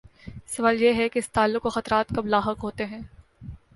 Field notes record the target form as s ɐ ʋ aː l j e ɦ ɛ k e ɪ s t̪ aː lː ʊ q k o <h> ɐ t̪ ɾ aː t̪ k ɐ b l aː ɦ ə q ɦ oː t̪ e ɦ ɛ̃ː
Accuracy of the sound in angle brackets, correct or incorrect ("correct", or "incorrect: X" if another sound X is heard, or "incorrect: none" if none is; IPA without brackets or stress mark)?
incorrect: x